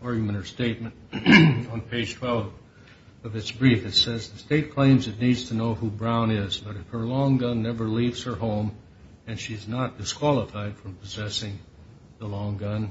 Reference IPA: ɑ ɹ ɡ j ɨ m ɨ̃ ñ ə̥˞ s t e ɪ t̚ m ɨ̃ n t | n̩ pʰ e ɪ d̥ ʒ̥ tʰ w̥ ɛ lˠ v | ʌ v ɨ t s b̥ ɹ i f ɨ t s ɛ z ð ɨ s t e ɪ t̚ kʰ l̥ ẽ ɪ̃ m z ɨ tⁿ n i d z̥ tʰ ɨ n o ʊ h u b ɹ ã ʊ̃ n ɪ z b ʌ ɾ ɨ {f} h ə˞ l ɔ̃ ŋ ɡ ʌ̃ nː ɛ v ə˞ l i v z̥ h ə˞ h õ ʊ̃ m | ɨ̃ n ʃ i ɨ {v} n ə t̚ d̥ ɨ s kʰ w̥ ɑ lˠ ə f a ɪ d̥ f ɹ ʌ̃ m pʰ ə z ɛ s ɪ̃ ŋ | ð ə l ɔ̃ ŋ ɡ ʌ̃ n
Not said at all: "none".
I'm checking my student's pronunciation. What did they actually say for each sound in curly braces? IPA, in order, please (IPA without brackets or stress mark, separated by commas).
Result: f, z